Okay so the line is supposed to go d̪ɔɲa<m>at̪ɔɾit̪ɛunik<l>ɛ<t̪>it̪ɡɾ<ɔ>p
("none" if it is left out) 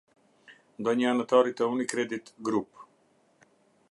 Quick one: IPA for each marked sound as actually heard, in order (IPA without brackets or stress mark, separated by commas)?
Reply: n, ɾ, d̪, u